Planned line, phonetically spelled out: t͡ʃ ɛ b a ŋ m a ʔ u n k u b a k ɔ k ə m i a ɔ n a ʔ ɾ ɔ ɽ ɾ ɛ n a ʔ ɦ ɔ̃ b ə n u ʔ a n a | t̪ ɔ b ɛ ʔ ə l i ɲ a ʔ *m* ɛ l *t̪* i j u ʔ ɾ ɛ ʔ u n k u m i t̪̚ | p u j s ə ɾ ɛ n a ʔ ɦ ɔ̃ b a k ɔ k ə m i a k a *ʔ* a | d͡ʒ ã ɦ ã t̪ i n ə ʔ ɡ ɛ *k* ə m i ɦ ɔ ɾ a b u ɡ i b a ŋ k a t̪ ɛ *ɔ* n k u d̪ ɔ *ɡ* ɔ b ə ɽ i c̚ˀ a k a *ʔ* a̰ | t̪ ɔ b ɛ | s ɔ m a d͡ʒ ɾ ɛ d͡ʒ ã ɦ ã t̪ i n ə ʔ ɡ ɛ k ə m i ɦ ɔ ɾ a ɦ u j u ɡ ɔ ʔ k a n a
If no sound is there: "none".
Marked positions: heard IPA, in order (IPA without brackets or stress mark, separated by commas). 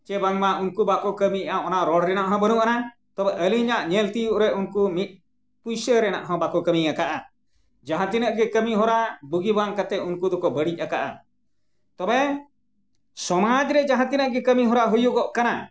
ɲ, t̪, ʔ, k, u, k, ʔ